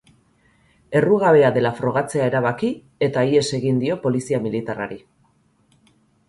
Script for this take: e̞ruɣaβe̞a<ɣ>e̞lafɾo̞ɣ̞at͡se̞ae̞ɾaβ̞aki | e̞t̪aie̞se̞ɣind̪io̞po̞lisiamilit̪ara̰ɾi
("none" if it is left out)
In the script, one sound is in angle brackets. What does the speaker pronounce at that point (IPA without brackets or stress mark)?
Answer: ð